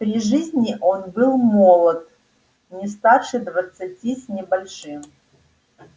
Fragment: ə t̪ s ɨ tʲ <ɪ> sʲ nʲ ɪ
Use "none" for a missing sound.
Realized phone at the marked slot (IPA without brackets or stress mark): i